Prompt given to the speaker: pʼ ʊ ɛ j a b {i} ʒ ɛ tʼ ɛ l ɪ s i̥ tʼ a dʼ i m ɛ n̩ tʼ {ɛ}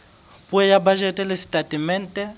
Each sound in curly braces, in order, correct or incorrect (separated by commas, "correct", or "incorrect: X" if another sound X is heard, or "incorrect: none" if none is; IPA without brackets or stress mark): incorrect: a, correct